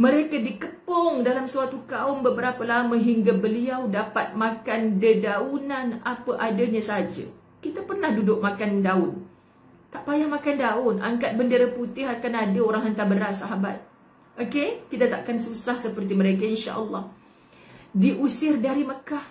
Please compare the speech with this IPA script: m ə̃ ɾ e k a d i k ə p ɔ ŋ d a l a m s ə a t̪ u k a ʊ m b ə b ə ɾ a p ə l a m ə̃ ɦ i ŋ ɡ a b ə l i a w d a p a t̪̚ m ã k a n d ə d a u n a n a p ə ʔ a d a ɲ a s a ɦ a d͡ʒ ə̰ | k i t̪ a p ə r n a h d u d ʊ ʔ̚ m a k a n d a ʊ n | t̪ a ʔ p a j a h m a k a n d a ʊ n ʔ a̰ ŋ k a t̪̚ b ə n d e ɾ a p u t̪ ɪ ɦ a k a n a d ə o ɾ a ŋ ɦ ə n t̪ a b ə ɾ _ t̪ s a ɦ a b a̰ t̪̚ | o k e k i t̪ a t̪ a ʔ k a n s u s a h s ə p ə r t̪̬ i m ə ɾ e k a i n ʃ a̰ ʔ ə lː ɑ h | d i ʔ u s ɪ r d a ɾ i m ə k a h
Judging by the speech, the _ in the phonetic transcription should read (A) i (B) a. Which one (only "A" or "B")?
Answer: B